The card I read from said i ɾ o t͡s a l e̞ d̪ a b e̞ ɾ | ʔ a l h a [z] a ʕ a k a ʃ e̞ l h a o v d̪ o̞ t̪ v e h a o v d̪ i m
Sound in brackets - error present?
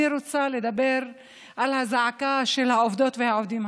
no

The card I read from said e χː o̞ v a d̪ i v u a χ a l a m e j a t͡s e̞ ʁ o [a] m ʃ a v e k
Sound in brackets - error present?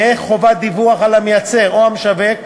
no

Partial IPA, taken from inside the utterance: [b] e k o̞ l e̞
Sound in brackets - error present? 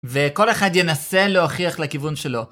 yes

